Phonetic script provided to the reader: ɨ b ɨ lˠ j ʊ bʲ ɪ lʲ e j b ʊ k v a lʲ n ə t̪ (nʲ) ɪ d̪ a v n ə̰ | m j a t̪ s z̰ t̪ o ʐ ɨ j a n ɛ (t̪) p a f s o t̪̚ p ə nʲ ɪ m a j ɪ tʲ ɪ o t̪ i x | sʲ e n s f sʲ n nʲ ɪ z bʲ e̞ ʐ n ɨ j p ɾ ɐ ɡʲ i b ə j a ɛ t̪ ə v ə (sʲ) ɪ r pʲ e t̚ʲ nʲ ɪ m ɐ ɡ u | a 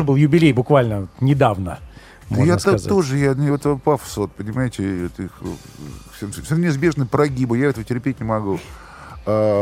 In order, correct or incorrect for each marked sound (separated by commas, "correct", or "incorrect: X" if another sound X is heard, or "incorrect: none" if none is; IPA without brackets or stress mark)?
correct, correct, incorrect: tʲ